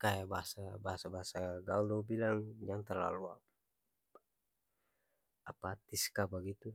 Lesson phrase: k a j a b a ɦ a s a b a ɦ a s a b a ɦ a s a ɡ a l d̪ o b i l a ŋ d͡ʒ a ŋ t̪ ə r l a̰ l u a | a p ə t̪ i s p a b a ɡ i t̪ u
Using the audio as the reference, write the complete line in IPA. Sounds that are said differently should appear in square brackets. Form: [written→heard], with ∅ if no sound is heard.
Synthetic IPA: k a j a b a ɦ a s a b a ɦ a s a b a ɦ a s a ɡ a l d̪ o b i l a ŋ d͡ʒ a ŋ t̪ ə r l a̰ l u a | a p [ə→a] t̪ i s [p→k] a b a ɡ i t̪ u